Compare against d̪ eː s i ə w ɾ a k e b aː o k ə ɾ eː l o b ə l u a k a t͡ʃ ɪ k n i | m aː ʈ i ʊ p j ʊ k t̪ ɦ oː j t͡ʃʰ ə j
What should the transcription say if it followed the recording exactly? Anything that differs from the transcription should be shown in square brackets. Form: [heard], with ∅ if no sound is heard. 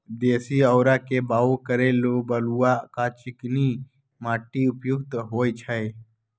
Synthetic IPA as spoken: d̪ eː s i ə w ɾ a k e b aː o k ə ɾ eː l o b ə l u a k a t͡ʃ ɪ k n i | m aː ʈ i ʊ p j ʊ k t̪ ɦ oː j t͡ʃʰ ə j